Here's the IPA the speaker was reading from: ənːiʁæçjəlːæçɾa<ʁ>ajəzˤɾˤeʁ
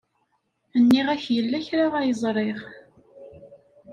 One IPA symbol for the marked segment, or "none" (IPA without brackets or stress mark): ʁ